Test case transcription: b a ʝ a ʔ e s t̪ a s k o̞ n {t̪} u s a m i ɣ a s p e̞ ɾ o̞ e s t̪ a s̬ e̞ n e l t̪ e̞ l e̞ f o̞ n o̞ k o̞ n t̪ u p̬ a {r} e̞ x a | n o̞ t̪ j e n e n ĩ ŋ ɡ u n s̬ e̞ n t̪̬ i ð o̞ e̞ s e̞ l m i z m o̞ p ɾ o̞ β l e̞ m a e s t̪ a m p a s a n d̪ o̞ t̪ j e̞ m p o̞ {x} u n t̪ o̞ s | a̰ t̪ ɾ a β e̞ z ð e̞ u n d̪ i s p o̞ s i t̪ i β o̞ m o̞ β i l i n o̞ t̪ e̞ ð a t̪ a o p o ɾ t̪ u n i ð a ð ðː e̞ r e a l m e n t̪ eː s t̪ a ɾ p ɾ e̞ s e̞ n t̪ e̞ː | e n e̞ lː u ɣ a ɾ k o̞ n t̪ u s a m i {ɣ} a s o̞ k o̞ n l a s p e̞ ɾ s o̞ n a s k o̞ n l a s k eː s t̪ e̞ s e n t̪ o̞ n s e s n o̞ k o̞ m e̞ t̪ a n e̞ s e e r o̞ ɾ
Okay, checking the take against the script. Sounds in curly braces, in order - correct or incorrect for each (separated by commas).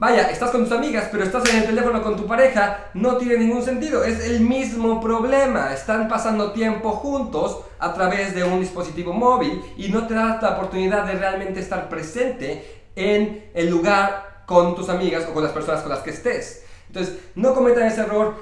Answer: correct, incorrect, correct, correct